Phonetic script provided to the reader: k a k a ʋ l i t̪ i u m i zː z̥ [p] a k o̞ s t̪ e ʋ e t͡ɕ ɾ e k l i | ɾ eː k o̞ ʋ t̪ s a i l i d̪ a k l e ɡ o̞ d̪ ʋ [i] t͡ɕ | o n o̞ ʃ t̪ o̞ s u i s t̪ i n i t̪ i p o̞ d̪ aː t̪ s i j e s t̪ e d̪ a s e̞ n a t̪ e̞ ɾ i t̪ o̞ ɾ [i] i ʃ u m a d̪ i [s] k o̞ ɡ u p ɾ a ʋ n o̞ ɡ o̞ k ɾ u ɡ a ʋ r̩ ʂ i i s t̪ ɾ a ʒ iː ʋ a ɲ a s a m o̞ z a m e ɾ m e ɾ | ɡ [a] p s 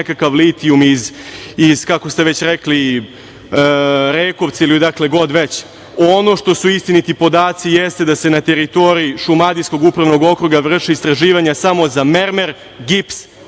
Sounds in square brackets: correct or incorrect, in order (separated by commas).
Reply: incorrect, incorrect, correct, correct, incorrect